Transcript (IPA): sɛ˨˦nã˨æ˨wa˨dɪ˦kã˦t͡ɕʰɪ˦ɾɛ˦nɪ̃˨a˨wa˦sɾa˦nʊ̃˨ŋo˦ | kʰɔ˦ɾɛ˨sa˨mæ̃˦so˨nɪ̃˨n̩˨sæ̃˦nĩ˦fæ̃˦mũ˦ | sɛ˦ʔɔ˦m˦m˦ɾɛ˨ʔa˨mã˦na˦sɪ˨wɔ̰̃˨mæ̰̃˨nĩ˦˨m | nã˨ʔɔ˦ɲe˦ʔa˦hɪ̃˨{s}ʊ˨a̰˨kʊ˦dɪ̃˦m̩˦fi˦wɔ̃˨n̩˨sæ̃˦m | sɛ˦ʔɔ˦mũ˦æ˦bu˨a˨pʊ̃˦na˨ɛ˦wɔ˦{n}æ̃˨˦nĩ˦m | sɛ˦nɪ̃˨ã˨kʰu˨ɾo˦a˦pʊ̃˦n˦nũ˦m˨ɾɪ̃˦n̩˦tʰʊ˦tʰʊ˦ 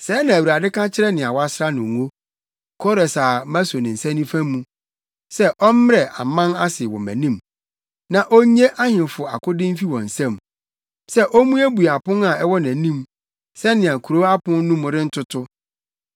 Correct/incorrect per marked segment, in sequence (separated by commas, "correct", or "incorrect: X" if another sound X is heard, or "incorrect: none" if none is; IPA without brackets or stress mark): incorrect: f, correct